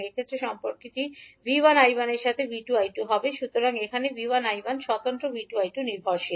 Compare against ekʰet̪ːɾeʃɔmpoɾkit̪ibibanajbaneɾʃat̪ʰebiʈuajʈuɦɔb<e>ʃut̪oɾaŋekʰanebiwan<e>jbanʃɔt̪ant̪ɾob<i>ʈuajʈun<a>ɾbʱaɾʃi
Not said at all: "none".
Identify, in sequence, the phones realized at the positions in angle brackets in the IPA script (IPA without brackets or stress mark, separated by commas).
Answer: e, a, i, i